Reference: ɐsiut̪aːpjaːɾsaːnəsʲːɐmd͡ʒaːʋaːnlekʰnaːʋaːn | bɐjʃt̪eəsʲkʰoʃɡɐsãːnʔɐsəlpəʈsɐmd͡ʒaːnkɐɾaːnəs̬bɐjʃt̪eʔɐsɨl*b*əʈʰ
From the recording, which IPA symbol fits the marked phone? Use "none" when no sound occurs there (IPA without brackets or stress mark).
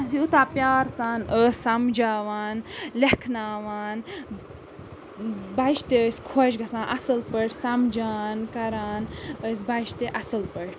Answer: p